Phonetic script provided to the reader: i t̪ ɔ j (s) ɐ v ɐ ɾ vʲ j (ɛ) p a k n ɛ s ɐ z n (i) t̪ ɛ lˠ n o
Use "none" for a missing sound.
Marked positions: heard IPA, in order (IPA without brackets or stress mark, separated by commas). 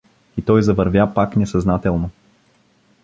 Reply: z, a, a